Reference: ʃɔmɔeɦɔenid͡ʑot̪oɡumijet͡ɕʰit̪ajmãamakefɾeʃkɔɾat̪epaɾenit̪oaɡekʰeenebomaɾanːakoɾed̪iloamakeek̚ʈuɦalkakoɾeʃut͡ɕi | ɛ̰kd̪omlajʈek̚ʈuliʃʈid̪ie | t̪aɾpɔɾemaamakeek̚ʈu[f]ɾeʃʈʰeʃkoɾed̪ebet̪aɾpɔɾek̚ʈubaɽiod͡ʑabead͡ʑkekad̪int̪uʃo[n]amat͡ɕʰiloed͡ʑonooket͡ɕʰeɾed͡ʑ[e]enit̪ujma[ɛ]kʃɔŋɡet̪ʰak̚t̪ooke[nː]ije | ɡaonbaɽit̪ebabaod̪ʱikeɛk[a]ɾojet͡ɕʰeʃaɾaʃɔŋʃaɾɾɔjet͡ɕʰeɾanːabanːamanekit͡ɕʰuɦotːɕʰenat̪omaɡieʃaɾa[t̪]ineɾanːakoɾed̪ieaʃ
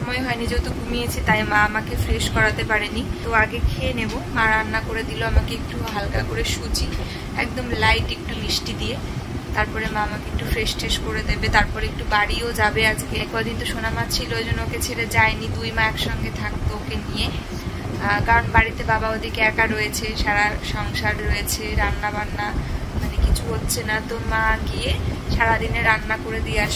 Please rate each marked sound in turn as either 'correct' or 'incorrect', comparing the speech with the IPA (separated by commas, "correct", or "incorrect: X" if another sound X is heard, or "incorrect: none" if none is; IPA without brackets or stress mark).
correct, correct, incorrect: a, correct, incorrect: n, correct, incorrect: d̪